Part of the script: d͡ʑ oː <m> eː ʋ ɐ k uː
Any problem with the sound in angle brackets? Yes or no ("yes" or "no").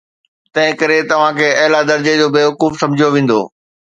yes